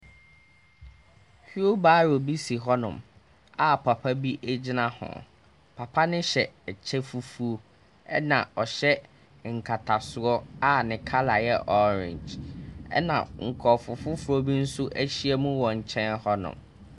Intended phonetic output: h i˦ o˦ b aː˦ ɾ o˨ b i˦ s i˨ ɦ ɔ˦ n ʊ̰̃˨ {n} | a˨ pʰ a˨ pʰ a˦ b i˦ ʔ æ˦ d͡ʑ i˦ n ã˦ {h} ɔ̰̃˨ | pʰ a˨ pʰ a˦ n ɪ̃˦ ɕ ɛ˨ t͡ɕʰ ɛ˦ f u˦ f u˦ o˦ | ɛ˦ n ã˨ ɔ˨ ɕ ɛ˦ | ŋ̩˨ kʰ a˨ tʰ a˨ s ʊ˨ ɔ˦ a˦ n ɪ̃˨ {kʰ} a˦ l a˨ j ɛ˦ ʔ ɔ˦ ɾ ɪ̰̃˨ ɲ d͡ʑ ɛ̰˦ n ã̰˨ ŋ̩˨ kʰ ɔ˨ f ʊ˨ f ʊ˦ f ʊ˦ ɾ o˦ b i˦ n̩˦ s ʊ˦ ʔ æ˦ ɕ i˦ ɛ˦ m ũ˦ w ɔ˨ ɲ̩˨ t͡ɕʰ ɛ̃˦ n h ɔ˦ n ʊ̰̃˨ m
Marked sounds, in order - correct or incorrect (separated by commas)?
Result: incorrect, correct, correct